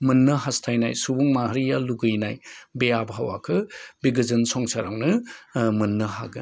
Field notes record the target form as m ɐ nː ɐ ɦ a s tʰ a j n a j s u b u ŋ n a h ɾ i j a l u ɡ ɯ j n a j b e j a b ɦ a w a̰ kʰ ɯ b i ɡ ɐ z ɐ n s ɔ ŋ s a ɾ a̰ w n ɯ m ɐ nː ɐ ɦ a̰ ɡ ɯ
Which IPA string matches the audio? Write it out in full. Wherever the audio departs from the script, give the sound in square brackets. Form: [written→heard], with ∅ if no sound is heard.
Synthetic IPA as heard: m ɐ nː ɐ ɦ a s tʰ a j n a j s u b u ŋ [n→m] a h ɾ i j a l u ɡ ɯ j n a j b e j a b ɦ a w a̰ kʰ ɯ b i ɡ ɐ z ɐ n s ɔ ŋ s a ɾ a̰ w n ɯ m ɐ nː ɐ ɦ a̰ ɡ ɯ